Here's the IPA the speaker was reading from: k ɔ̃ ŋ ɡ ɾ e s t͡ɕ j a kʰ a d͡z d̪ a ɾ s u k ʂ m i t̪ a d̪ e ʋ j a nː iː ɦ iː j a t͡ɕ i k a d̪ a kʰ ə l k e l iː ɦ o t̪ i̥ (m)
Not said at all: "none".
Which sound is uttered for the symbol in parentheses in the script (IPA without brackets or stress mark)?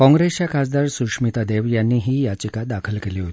none